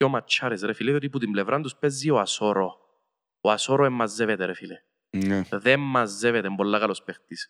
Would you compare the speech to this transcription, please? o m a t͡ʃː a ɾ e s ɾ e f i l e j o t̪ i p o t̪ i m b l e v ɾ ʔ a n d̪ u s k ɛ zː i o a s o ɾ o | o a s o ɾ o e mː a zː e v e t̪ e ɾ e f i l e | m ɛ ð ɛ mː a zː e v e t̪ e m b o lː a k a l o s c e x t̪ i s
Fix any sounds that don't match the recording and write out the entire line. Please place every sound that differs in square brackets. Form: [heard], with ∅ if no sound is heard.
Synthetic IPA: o m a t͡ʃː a ɾ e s ɾ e f i l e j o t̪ i p [u] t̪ i m b l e v ɾ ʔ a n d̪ u s [p] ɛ zː i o a s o ɾ o | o a s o ɾ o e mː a zː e v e t̪ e ɾ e f i l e | [n] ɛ ð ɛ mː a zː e v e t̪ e m b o lː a k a l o s [p] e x t̪ i s